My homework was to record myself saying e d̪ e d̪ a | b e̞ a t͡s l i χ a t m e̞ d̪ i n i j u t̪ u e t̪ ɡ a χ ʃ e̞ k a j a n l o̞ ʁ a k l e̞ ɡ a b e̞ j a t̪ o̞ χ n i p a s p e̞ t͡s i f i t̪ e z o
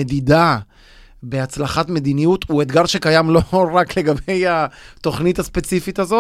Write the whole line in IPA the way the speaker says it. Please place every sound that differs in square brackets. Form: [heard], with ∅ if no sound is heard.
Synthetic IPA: e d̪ [i] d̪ a | b e̞ a t͡s l [a] χ a t m e̞ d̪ i n i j u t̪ u e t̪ ɡ a [ʁ] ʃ e̞ k a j a [m] l o̞ ʁ a k l e̞ ɡ a b e̞ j a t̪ o̞ χ n i [t] a s p e̞ t͡s i f i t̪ [a] z o